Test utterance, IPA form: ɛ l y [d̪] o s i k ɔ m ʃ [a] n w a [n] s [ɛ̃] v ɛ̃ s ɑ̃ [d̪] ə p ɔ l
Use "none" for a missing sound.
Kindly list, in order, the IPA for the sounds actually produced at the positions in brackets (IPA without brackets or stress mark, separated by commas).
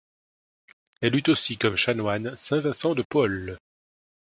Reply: t̪, a, n, ɛ̃, d̪